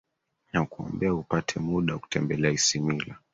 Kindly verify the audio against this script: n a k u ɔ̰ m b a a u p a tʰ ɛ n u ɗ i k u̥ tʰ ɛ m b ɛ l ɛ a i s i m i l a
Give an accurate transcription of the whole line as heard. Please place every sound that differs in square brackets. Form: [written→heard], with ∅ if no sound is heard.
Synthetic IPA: n a k u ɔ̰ m b [a→ɛ] a u p a tʰ ɛ [n→m] u ɗ [i→a] k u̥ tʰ ɛ m b ɛ l ɛ a i s i m i l a